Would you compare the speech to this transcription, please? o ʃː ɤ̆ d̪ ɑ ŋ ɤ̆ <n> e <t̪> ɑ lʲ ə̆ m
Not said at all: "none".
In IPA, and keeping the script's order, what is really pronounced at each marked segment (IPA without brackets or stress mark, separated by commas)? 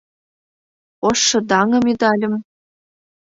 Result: m, d̪